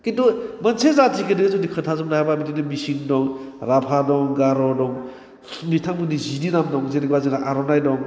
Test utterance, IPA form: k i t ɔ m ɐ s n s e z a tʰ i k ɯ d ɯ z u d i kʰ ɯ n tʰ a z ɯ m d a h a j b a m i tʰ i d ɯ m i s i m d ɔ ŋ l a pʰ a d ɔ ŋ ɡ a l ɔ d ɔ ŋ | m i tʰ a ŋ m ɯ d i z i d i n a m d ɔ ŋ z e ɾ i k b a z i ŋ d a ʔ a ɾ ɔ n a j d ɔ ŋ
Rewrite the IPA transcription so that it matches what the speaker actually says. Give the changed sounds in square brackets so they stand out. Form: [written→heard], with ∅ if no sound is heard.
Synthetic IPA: k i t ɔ m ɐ [s→∅] n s e z a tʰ i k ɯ d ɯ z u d i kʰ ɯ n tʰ a z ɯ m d a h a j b a m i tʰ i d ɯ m i s i [m→ŋ] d ɔ ŋ [l→ɾ] a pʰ a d ɔ ŋ ɡ a [l→ɾ] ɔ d ɔ ŋ | m i tʰ a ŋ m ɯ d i z i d i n a m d ɔ ŋ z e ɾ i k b a z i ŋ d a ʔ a ɾ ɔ n a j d ɔ ŋ